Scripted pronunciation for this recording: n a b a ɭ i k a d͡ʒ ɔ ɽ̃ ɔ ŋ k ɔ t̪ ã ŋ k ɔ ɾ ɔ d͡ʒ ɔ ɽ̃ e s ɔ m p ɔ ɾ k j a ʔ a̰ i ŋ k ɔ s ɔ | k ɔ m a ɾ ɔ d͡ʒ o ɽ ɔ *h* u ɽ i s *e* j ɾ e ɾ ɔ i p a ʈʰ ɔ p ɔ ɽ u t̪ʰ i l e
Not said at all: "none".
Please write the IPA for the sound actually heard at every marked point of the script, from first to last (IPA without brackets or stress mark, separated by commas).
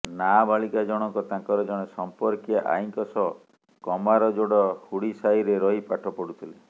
h, a